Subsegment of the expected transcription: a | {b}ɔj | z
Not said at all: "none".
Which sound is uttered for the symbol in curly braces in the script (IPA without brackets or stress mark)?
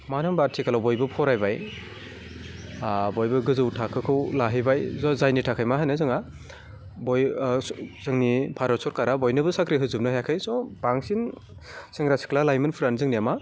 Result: b